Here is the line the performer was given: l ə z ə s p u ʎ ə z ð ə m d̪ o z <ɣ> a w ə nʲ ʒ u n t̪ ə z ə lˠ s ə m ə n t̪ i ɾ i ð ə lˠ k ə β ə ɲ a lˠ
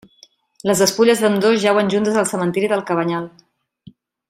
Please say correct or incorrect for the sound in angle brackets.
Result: incorrect